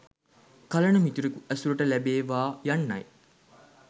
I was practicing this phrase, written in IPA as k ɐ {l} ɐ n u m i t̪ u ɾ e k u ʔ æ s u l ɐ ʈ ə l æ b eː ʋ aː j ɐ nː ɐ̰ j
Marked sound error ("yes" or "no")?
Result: no